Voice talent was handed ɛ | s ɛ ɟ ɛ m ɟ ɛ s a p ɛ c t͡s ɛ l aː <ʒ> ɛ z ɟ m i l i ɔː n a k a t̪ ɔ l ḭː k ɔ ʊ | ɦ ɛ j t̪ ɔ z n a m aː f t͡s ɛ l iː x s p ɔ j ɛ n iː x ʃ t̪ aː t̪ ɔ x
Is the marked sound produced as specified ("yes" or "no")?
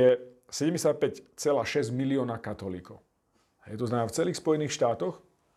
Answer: no